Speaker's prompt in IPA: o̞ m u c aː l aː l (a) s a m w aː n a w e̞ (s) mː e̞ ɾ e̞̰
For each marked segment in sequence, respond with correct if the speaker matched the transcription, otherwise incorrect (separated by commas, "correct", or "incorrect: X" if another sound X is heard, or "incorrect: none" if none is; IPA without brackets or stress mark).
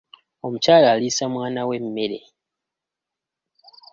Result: incorrect: i, incorrect: none